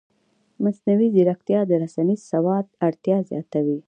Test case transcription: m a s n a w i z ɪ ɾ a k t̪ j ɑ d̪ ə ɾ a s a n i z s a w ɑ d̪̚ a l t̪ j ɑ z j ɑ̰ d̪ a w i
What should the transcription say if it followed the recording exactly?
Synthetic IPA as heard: m a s n a w i z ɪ ɾ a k t̪ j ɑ d̪ ə ɾ a s a n i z s a w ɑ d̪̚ a ɽ t̪ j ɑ z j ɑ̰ t̪ a w i